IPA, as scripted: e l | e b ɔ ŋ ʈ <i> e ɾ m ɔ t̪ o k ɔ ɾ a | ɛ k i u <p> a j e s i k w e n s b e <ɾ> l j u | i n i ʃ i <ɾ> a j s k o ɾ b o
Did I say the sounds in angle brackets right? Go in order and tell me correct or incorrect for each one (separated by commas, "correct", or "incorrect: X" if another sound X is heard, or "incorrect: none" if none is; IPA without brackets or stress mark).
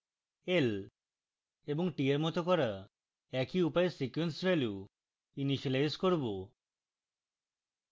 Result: correct, correct, incorrect: none, incorrect: l